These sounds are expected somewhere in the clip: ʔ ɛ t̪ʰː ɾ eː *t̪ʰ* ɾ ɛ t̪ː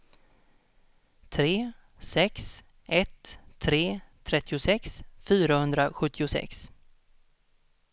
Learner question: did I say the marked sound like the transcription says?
yes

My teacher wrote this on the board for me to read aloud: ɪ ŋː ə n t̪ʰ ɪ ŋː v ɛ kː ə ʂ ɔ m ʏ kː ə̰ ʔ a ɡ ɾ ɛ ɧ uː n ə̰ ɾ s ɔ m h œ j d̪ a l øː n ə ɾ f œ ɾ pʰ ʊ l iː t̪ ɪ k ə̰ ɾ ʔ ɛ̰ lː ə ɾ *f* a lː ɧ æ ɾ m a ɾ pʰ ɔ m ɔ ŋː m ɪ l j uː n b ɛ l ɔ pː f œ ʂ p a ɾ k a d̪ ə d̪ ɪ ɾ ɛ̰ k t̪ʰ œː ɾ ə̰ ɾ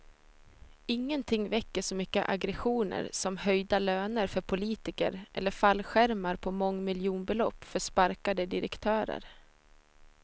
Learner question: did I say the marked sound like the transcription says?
yes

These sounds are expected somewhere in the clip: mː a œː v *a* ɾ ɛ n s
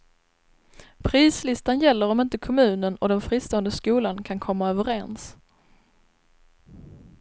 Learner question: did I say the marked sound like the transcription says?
no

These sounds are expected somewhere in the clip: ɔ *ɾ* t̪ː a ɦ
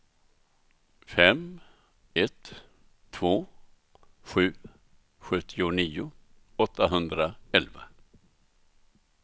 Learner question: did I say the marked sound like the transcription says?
no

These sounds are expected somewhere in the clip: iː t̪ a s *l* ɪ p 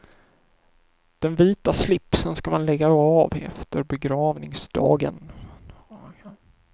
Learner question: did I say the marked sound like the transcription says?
yes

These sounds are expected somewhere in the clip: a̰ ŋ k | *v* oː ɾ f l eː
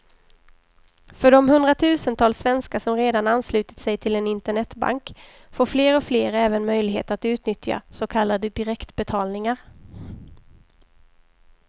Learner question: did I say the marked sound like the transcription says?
no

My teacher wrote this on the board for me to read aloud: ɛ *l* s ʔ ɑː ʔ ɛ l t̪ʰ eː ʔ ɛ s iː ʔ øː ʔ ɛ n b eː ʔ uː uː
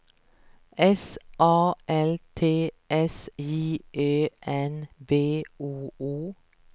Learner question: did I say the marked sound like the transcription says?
no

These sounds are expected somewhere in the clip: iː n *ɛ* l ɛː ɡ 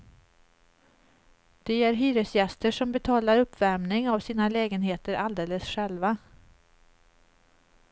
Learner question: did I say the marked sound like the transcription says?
no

